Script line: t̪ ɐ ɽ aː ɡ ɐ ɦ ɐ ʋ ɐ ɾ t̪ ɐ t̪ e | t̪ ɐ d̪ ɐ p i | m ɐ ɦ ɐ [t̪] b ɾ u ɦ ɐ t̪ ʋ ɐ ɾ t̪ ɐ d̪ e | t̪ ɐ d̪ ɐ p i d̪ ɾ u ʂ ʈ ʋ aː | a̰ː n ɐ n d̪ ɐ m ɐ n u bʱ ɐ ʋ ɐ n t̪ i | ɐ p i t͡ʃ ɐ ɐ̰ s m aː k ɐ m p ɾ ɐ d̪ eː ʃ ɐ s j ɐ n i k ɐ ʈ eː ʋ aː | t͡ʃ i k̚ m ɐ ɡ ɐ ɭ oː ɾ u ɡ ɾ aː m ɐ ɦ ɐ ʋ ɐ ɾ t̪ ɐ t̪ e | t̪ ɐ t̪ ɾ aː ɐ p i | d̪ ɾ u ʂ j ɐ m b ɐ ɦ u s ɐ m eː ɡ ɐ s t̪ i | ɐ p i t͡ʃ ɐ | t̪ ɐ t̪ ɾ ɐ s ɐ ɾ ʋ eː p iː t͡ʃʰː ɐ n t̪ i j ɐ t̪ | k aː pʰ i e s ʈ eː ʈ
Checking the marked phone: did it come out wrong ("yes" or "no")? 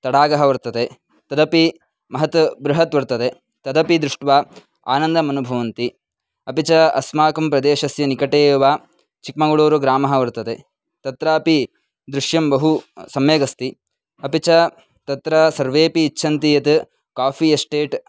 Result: no